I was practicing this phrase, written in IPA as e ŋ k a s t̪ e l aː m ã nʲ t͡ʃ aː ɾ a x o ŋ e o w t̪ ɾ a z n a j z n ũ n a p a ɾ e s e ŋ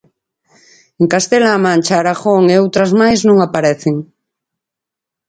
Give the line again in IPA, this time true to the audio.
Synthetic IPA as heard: e ŋ k a s t̪ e l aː m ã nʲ t͡ʃ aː ɾ a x o ŋ e o w t̪ ɾ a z m a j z n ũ ŋ a p a ɾ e θ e ŋ